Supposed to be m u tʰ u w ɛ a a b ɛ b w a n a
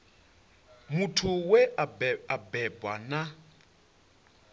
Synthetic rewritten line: m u tʰ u w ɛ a a b ɛ b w a n a

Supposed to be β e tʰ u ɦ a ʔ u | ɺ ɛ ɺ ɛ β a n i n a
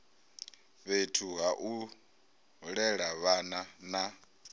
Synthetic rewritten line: β e tʰ u ɦ a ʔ u | ɺ ɛ ɺ a β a n a n a

